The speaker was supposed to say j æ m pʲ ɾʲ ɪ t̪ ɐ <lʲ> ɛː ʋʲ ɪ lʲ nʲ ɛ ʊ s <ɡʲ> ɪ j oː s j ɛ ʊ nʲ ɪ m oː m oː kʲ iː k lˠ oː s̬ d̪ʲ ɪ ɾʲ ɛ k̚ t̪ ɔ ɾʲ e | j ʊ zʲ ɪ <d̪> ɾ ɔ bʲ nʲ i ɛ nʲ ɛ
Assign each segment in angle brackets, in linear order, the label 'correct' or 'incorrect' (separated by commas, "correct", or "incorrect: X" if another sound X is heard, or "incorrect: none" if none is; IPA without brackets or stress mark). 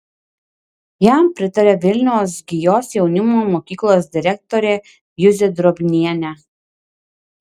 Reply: incorrect: ɾʲ, correct, correct